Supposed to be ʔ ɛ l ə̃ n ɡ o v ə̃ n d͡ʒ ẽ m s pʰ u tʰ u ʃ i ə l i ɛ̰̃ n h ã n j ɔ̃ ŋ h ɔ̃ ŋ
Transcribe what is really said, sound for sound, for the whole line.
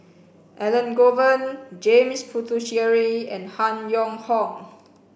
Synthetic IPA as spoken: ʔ ɛ l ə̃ n ɡ o v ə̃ n d͡ʒ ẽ m s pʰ u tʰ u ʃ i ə ɹ i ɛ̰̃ n h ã n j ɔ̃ ŋ h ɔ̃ ŋ